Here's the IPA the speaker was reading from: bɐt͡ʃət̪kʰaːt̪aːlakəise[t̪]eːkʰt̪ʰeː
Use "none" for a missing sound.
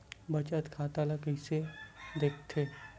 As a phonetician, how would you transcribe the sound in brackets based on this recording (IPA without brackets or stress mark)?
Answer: d̪